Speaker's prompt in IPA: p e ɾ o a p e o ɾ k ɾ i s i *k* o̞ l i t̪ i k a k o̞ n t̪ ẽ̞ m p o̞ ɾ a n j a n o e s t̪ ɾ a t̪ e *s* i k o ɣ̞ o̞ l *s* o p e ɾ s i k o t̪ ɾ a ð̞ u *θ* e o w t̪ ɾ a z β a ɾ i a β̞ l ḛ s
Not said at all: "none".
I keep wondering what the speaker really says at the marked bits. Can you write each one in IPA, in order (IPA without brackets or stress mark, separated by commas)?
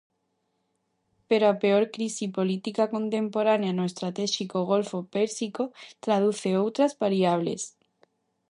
p, ʃ, f, θ